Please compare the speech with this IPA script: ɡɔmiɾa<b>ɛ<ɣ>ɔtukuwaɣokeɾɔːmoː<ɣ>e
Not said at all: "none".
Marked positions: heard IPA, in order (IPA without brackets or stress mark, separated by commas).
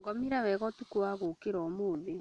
w, ɣ, ð